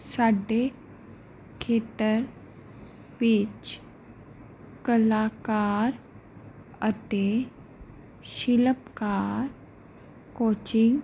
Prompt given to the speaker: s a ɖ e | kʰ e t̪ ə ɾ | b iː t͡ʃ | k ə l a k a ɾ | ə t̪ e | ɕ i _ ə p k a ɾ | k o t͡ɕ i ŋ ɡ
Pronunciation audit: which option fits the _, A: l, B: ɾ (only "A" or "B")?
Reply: A